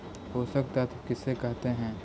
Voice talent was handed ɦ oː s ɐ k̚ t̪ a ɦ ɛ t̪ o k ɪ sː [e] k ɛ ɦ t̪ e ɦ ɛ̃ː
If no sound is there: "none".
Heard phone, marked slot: e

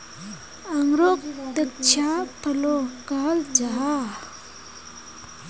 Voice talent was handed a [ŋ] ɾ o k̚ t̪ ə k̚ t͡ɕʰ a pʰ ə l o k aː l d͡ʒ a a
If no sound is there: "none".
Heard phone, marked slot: ŋ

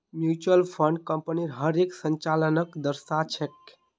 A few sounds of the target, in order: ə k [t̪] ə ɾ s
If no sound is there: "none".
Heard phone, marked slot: d̪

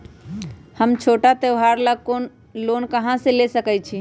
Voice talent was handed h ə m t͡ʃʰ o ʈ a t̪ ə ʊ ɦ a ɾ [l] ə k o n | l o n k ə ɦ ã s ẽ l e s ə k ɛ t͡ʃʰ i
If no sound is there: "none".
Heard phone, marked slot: l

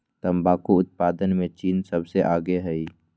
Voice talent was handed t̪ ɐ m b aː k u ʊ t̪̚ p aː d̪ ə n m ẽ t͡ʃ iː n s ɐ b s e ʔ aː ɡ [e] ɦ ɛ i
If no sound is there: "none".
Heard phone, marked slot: e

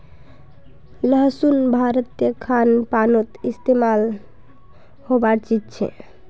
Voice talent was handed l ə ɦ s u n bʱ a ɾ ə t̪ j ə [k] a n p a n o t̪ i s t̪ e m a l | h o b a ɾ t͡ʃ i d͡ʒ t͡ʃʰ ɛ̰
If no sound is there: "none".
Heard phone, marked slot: kʰ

